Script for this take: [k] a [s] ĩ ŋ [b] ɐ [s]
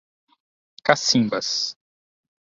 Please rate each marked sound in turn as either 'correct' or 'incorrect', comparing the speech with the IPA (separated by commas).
correct, correct, correct, correct